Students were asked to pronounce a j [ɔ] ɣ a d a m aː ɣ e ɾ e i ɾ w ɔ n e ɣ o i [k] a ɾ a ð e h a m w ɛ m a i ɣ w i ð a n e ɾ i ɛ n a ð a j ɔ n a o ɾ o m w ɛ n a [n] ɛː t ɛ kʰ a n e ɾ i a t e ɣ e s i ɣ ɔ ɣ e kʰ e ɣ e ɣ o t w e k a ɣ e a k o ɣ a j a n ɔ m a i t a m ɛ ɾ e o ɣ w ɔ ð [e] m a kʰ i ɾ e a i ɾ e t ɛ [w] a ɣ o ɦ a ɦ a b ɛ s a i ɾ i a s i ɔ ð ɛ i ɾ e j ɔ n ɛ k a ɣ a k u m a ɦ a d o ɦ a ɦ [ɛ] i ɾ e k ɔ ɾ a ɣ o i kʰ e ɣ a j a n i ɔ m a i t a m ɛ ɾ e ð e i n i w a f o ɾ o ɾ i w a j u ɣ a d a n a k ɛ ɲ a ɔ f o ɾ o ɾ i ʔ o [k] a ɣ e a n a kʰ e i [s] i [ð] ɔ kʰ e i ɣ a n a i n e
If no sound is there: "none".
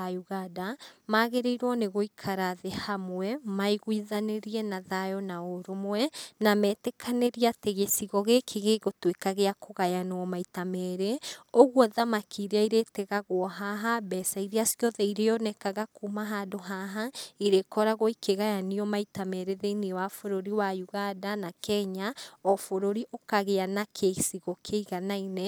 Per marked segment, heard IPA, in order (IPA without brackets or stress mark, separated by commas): u, kʰ, m, a, ɣ, a, k, s, ɣ